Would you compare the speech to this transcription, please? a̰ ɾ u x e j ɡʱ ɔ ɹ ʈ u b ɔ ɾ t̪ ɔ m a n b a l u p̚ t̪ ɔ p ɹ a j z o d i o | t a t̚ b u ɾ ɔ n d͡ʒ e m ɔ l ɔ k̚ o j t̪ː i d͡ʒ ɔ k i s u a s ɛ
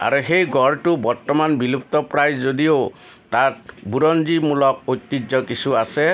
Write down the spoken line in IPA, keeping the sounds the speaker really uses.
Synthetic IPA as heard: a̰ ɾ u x e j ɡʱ ɔ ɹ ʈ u b ɔ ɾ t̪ ɔ m a n b i l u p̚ t̪ ɔ p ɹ a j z o d i o | t a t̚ b u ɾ ɔ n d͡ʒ i m u l ɔ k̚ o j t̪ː i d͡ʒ ɔ k i s u a s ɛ